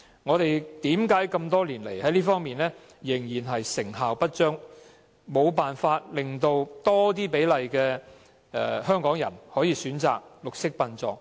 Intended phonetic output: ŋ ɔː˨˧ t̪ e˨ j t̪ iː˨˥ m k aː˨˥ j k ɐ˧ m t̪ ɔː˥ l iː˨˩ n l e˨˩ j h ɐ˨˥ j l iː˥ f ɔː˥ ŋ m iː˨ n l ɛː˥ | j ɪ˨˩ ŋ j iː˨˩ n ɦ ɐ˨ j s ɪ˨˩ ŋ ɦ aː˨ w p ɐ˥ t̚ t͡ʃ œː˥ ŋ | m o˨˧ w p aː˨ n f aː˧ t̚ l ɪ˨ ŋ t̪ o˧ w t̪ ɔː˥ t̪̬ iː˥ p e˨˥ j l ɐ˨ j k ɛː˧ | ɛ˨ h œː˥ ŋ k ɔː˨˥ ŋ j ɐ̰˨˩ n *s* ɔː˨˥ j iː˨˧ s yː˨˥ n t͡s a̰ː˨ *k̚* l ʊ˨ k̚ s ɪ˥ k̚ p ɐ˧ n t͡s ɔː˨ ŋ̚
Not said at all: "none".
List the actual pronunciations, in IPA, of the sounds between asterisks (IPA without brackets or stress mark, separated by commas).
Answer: h, k̚